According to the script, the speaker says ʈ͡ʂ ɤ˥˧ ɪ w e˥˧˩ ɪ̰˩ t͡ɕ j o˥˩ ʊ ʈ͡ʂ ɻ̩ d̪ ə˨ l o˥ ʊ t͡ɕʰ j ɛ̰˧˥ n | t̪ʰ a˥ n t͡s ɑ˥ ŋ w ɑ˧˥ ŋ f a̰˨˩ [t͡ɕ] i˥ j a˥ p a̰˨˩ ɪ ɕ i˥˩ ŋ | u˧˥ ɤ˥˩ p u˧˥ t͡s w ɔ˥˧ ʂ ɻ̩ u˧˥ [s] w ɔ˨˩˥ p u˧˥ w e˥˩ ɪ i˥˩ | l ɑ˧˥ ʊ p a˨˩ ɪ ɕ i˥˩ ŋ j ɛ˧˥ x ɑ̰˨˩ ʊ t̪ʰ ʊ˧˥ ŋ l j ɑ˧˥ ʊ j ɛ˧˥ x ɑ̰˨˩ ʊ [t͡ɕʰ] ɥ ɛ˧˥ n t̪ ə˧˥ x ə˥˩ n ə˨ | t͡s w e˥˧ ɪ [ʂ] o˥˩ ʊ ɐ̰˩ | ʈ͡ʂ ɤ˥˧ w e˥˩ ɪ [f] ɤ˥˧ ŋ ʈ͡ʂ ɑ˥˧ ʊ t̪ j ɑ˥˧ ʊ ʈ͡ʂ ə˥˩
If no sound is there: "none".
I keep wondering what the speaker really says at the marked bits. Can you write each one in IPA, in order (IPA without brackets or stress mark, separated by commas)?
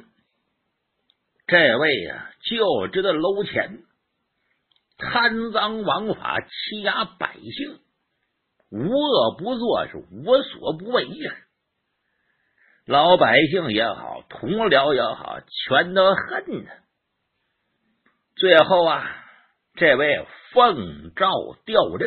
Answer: t͡ɕʰ, s, t͡ɕʰ, x, f